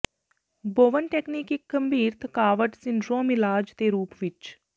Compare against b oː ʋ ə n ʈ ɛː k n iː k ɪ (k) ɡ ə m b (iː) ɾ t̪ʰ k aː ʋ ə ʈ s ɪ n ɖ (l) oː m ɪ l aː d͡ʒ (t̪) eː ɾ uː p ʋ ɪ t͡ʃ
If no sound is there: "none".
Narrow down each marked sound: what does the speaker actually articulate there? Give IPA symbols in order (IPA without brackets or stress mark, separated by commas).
k, iː, ɾ, t̪